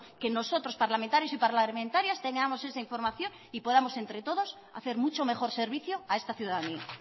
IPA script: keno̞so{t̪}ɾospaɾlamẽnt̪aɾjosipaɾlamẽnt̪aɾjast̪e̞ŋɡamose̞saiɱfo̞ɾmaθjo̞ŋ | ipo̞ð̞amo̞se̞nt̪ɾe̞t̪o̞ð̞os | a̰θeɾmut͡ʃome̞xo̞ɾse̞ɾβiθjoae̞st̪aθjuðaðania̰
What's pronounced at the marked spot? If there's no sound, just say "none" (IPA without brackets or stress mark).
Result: t̪